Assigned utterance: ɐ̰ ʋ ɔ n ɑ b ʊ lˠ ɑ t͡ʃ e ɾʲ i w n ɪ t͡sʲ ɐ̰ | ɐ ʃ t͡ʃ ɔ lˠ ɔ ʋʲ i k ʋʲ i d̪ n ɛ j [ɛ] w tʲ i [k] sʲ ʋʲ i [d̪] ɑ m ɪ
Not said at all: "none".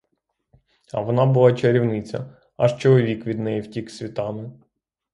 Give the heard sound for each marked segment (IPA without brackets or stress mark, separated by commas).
i, k, t̪